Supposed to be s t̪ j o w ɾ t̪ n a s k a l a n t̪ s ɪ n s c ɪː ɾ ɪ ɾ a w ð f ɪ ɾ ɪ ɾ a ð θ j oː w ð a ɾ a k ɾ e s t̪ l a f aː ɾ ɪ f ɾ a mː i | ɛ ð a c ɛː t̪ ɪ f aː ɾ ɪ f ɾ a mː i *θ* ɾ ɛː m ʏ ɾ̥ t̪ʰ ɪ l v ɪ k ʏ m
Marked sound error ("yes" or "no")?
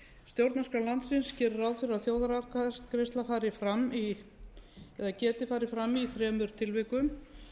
no